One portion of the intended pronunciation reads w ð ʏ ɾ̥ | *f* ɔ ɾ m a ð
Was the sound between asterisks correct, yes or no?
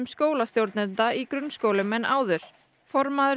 yes